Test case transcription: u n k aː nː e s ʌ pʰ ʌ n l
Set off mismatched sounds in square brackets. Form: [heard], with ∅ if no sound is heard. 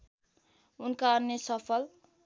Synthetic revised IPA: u n k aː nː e s ʌ pʰ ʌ [∅] l